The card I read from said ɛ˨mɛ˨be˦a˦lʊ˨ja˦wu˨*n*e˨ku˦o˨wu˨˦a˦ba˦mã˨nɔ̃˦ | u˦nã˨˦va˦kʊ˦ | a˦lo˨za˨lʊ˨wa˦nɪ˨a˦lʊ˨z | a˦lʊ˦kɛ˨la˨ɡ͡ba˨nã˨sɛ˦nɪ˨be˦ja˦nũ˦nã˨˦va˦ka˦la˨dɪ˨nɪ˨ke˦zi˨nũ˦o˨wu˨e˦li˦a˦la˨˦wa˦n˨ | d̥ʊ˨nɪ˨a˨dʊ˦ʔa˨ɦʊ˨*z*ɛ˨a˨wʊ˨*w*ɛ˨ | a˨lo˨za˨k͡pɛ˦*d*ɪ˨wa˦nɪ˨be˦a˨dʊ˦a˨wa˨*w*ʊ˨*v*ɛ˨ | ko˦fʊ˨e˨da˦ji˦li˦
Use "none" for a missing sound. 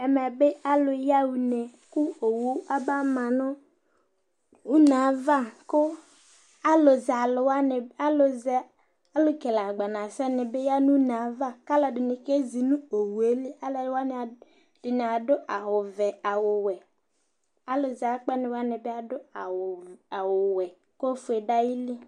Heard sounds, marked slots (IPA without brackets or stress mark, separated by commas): n, v, w, n, w, w